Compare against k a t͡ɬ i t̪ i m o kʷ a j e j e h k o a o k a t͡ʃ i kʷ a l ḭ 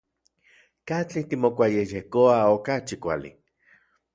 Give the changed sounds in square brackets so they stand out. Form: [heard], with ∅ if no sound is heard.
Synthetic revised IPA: k a t͡ɬ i t̪ i m o kʷ a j e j e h k o a o k a t͡ʃ i kʷ a l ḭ